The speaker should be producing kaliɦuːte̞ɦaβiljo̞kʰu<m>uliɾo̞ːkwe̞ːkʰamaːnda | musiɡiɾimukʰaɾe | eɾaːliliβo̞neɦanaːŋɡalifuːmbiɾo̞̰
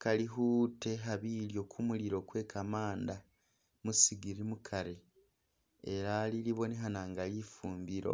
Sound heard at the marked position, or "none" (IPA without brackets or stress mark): m